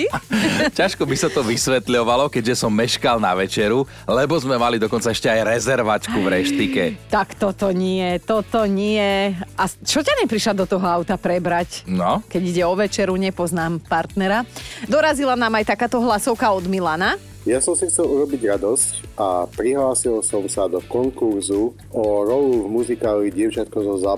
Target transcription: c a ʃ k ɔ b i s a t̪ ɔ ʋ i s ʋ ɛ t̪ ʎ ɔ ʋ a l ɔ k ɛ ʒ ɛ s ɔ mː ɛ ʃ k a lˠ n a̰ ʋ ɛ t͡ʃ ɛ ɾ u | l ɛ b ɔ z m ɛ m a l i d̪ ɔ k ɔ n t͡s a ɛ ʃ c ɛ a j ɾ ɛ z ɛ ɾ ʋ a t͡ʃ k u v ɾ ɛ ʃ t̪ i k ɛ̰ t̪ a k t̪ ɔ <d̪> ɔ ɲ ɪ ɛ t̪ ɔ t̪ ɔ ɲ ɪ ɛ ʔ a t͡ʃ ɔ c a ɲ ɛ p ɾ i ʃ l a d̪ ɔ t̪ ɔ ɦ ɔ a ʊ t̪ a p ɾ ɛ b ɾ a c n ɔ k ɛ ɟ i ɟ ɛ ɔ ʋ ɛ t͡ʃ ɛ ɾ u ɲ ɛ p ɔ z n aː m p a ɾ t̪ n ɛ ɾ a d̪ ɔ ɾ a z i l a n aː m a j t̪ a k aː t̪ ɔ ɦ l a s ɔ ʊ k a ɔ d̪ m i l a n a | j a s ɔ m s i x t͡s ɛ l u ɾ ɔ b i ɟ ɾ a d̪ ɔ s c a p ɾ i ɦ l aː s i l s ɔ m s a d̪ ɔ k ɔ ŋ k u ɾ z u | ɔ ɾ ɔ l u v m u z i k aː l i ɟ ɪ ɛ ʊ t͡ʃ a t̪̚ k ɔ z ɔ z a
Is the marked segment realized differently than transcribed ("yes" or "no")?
yes